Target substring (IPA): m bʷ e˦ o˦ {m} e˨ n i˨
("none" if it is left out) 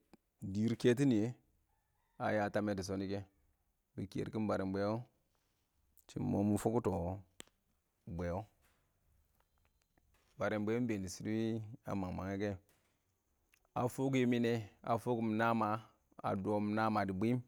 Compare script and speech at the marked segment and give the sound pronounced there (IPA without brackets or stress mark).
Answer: b